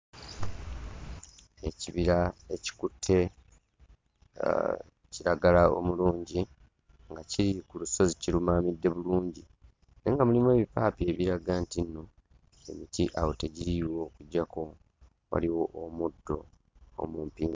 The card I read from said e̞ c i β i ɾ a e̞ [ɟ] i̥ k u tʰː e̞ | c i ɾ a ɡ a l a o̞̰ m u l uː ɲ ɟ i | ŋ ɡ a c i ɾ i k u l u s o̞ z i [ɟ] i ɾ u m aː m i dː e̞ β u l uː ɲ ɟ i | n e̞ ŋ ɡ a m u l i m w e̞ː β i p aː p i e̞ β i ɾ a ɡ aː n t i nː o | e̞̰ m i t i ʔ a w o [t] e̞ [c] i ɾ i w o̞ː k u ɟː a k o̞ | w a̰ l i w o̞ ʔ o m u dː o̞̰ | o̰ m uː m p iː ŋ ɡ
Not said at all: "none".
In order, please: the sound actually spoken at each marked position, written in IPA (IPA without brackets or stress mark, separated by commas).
c, c, t, ɟ